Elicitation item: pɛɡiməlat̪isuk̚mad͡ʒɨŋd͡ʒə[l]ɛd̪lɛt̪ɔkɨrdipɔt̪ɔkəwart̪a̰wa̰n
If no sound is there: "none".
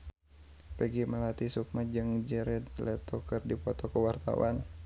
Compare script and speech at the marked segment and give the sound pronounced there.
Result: ɾ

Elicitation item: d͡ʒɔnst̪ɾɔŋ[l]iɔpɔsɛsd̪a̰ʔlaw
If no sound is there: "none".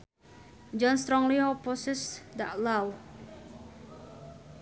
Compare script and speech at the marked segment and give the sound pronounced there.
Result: l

